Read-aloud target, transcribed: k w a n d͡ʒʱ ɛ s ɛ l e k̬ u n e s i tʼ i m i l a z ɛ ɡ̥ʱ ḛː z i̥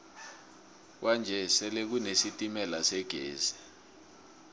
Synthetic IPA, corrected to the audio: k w a n d͡ʒʱ ɛ s ɛ l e k̬ u n e s i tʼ i m ɛ l a s ɛ ɡ̥ʱ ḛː z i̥